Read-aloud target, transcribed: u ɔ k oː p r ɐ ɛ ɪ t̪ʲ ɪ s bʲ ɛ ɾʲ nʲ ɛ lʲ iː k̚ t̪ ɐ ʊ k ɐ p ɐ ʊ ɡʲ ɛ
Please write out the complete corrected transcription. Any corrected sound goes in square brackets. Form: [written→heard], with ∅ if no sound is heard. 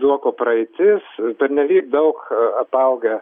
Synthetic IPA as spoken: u ɔ k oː p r ɐ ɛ ɪ t̪ʲ ɪ s [bʲ→pʲ] ɛ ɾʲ nʲ ɛ lʲ iː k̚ [t̪→d̪] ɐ ʊ k ɐ p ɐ ʊ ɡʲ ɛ